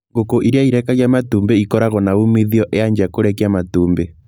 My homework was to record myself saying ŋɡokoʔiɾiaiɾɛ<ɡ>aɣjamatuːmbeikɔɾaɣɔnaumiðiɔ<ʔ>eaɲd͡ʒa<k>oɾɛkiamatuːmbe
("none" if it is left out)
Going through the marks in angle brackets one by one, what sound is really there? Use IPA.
k, ʔ, k

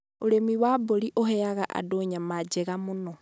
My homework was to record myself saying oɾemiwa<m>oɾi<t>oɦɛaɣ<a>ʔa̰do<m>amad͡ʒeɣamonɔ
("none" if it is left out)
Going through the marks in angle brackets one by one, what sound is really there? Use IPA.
b, ʔ, a, ɲ

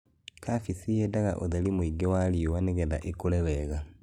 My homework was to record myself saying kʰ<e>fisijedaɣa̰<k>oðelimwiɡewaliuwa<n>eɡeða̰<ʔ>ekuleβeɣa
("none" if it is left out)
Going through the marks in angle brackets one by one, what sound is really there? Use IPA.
a, ʔ, n, ʔ

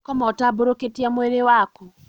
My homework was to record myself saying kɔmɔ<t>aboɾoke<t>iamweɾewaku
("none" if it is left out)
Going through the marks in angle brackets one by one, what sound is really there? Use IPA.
t, t

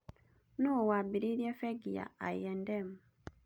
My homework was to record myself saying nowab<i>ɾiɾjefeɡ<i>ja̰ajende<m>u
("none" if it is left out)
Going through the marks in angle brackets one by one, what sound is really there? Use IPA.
i, i, m

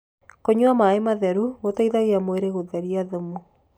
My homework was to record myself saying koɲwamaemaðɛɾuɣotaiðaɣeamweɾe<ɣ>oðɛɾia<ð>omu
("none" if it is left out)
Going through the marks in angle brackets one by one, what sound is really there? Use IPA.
ɣ, ð

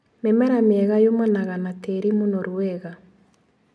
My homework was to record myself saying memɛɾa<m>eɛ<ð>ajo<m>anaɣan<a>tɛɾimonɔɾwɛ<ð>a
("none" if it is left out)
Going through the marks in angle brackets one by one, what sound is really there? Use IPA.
m, ɣ, m, a, ɣ

